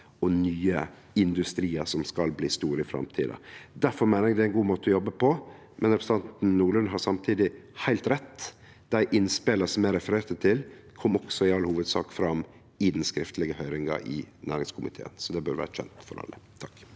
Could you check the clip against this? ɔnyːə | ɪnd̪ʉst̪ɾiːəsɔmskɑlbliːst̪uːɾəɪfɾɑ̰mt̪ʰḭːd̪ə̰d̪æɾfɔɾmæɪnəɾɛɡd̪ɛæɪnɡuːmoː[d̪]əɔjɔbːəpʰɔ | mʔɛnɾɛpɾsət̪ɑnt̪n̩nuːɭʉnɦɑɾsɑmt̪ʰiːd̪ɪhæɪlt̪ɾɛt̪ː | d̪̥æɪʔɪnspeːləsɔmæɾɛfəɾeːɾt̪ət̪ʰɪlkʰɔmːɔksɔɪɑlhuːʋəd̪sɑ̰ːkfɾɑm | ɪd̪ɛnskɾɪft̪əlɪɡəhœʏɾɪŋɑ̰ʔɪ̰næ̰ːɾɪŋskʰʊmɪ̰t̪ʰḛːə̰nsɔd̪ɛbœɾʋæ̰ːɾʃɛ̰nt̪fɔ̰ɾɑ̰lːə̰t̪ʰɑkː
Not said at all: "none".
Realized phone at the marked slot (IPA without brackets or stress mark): t̪